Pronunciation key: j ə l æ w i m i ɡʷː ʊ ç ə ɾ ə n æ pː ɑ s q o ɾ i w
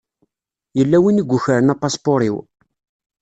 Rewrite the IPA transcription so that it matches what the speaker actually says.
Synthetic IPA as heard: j ə lː æ w i n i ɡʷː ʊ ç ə ɾ ə n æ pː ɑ s p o ɾ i w